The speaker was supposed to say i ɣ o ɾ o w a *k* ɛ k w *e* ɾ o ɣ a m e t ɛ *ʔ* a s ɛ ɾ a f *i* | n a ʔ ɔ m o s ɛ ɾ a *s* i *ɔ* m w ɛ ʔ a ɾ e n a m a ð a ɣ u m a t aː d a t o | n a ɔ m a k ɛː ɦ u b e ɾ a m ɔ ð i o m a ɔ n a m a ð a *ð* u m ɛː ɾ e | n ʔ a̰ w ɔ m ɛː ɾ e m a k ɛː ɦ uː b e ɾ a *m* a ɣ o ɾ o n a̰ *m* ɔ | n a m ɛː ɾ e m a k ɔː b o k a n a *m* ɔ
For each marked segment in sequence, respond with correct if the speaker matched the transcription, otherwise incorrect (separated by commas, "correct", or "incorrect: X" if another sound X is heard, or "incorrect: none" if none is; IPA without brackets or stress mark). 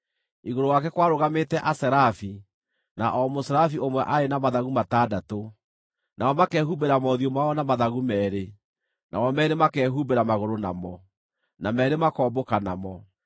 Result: correct, incorrect: a, correct, correct, incorrect: f, incorrect: o, incorrect: ɣ, correct, correct, correct